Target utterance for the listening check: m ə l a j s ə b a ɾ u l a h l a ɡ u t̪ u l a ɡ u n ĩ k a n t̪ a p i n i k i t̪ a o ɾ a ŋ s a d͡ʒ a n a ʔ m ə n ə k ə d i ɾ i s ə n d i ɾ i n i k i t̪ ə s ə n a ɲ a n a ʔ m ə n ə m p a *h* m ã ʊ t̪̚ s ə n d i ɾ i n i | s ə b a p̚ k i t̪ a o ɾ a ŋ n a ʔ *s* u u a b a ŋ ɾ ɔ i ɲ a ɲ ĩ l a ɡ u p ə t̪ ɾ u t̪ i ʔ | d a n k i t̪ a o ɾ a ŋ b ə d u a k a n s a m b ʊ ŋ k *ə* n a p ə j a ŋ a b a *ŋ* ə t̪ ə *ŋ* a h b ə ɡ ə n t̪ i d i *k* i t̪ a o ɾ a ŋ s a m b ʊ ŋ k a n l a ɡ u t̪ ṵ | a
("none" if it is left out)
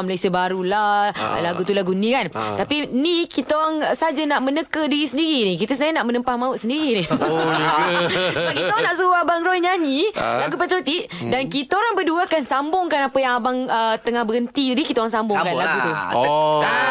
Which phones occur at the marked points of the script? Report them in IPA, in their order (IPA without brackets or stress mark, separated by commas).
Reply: h, s, a, ŋ, ŋ, k